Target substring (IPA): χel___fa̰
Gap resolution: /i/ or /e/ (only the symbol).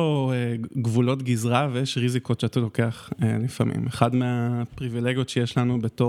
i